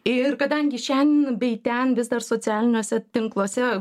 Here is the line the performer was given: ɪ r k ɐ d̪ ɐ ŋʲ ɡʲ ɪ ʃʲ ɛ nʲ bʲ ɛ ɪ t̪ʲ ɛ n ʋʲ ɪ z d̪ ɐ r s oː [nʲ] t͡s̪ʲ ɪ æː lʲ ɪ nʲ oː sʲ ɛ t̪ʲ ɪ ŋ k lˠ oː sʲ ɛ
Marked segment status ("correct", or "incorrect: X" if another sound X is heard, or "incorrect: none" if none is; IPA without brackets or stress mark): incorrect: none